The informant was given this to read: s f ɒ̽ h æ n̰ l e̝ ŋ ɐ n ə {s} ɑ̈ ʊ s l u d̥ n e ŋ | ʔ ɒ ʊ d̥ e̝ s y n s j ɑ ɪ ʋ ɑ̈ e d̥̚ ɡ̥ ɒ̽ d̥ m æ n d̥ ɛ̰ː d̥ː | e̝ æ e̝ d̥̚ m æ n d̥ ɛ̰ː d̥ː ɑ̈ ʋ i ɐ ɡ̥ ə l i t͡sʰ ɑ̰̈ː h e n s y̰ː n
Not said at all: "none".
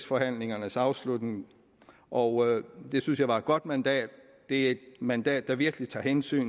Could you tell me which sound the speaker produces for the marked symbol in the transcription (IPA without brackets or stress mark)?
s